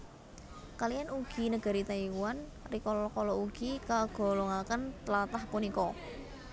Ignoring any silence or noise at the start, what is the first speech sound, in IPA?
k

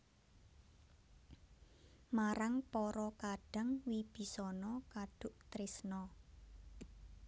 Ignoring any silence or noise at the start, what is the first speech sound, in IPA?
m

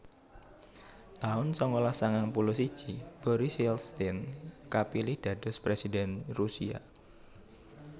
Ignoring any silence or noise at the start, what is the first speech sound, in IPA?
t̪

